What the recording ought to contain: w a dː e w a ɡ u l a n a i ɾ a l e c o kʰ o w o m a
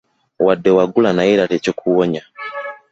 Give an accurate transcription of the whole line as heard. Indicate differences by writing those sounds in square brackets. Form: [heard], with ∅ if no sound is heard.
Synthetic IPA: w a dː e w a ɡ u l a n a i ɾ a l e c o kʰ [u] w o [ɲ] a